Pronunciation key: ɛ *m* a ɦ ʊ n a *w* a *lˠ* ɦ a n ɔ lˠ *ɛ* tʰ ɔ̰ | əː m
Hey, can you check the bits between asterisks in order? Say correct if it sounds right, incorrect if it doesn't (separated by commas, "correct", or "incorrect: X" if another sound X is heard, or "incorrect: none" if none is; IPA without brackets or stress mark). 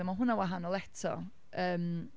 correct, correct, incorrect: none, correct